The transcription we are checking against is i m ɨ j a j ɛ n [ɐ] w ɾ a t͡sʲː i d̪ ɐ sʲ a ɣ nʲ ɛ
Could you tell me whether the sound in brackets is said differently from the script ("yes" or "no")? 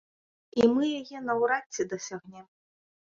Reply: no